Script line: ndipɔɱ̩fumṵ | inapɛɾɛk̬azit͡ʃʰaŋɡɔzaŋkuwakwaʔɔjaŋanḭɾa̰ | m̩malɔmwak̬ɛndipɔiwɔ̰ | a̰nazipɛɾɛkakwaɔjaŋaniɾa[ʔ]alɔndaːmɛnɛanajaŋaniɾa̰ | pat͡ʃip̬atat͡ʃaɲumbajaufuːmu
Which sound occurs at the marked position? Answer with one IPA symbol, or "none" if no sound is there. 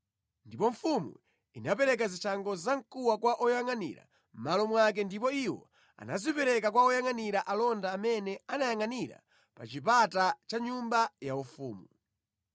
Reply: ʔ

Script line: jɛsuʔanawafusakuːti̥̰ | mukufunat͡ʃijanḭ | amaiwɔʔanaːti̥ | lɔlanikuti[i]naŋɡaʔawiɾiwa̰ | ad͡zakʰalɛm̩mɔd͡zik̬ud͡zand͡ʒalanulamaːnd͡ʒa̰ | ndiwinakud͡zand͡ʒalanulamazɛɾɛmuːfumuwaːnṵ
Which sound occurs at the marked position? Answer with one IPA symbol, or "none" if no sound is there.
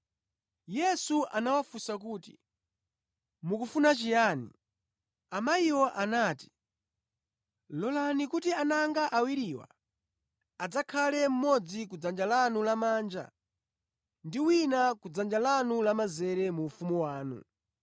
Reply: a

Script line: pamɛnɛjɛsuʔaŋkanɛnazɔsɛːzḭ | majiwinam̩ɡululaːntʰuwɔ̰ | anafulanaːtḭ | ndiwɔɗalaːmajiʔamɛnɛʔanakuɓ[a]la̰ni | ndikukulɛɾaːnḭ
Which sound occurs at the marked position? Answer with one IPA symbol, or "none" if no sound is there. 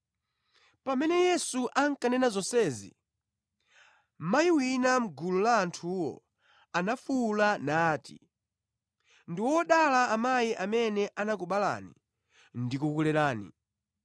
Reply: a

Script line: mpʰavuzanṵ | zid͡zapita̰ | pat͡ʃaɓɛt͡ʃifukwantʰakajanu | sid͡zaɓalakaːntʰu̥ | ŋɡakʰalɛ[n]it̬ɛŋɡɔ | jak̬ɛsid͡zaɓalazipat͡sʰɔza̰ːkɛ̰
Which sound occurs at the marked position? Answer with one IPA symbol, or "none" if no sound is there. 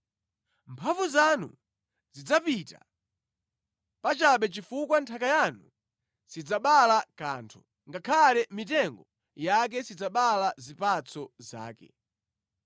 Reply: m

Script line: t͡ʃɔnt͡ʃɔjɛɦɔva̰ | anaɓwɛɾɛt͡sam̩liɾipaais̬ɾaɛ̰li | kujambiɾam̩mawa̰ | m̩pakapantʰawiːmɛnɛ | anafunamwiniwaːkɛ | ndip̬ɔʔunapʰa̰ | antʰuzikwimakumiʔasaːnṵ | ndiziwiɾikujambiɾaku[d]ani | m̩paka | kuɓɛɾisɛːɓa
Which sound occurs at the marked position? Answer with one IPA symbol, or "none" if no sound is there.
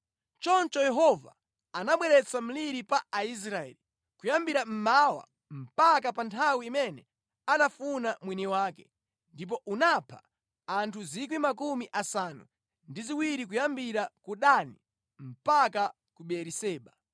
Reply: ɗ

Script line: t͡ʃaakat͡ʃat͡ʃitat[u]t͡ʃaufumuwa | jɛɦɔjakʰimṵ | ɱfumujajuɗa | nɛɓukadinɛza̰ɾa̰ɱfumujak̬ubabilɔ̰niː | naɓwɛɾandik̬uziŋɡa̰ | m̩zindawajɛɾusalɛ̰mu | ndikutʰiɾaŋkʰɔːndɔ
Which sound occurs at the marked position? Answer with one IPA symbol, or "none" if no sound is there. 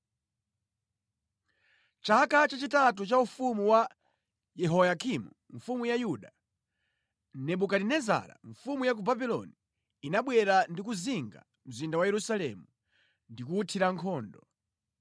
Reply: u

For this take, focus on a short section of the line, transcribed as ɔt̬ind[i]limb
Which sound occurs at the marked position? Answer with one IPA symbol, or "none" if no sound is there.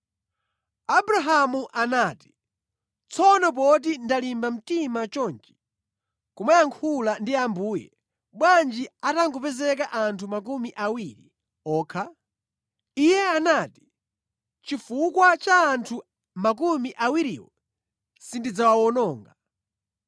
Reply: a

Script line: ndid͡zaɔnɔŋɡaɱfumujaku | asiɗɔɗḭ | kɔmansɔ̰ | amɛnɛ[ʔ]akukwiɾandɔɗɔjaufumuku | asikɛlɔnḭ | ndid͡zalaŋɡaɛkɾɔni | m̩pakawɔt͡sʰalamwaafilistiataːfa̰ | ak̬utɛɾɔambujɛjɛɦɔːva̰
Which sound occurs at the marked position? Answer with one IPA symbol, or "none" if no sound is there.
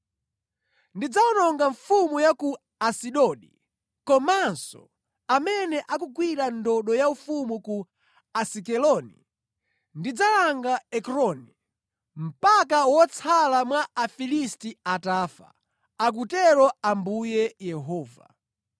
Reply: ʔ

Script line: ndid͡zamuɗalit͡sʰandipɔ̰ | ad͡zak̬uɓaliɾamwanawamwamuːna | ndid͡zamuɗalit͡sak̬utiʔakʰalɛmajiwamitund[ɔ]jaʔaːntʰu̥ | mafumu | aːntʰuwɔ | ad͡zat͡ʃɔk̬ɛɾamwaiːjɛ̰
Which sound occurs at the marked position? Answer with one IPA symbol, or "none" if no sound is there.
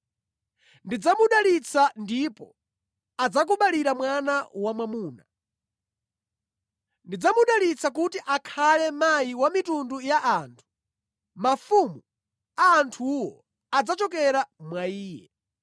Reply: u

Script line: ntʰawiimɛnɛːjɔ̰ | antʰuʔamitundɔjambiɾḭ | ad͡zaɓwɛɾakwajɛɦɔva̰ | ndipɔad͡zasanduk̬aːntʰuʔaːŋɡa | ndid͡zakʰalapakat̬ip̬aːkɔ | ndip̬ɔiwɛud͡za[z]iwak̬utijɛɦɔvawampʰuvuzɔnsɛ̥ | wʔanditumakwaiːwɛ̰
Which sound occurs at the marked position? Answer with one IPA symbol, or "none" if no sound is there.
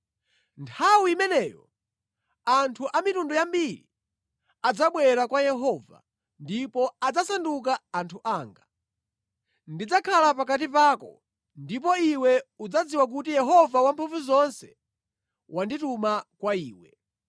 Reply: d͡z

